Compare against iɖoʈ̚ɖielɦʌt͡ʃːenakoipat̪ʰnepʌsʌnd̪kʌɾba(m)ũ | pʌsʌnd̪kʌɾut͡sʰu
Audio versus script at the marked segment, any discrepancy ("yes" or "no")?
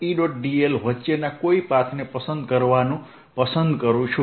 yes